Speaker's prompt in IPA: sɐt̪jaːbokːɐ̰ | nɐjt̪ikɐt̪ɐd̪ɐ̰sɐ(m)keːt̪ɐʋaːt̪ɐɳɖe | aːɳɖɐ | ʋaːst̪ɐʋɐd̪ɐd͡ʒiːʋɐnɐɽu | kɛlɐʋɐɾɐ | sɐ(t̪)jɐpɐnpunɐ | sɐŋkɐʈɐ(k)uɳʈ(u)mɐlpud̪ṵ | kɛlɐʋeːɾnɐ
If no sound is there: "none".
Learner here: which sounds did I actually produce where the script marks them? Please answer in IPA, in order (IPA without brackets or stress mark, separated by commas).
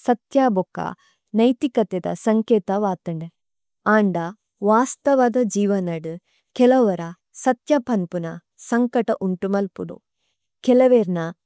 ŋ, t̪, ʔ, u